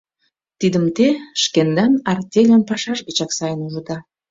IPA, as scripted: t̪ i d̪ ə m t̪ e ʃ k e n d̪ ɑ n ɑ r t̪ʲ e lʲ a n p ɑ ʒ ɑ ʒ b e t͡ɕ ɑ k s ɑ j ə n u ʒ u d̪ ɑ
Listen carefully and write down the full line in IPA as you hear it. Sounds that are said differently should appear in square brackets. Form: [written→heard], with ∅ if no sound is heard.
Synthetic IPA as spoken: t̪ i d̪ ə m t̪ e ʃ k e n d̪ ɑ n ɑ r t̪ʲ e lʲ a n p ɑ [ʒ→ʃ] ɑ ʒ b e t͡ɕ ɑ k s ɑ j ə n u ʒ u d̪ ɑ